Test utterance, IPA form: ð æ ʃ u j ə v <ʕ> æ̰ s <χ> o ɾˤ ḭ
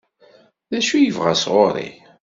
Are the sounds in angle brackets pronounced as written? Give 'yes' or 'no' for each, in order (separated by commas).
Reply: no, no